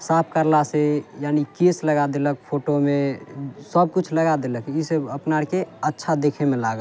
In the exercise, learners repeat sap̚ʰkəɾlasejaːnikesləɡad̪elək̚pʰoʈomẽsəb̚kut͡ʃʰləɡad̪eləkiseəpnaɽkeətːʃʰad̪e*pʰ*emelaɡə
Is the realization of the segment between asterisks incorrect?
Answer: yes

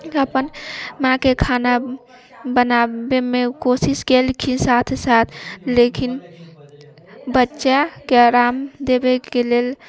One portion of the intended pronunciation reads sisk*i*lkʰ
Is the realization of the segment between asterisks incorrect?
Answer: yes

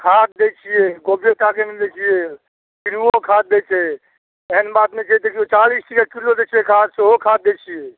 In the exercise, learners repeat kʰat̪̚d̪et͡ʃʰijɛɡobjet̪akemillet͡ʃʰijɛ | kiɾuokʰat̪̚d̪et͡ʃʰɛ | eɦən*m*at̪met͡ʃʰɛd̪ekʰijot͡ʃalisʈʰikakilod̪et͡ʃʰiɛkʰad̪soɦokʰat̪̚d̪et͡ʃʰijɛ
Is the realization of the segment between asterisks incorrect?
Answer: yes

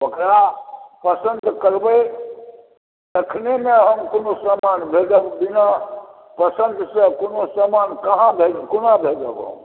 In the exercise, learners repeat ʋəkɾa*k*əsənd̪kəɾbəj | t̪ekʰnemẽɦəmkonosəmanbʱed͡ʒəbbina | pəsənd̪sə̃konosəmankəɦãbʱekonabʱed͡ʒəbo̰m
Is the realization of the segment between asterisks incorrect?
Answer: yes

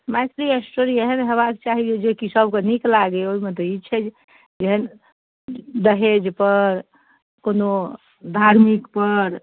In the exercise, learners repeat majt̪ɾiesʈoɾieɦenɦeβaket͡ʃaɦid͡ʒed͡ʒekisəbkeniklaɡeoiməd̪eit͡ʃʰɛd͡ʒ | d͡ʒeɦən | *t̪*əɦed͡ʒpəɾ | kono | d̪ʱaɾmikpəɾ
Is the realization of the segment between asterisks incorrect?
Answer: yes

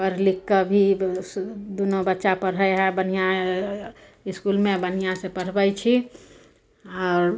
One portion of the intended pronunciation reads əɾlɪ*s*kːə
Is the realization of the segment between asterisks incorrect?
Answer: yes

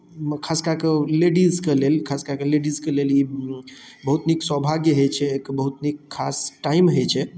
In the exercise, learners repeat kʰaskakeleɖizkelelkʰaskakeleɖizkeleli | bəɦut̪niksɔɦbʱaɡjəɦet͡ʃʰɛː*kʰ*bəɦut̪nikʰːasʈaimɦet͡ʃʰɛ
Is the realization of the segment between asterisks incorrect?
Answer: yes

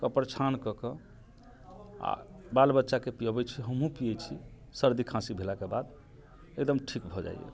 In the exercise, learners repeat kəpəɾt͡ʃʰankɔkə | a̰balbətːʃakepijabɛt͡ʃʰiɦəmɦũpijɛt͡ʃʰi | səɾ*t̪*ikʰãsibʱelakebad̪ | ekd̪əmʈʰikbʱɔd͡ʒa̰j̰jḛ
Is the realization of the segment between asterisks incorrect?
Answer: yes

